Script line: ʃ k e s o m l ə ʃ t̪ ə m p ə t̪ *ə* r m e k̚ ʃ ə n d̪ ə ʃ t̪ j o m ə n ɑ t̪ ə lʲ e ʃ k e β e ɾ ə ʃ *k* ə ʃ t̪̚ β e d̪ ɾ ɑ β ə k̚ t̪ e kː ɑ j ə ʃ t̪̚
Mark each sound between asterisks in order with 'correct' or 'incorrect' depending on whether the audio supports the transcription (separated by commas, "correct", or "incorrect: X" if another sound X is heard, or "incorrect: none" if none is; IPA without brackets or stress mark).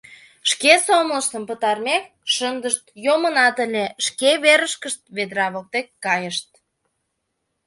incorrect: ɑ, correct